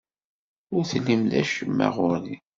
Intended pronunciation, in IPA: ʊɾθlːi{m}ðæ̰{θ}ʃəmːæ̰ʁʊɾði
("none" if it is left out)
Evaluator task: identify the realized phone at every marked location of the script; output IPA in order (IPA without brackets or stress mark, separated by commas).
m, none